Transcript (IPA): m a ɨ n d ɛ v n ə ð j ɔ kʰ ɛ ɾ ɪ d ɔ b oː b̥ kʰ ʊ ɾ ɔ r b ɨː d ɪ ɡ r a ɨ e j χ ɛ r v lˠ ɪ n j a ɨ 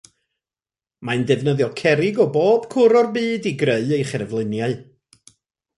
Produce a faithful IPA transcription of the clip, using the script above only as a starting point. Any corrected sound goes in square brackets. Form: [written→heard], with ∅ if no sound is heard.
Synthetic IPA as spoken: m a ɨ n d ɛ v n ə ð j ɔ kʰ ɛ ɾ ɪ [d→ɡ] ɔ b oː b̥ kʰ ʊ ɾ ɔ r b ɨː d [ɪ→i] ɡ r [a→e] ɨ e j χ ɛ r v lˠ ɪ n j a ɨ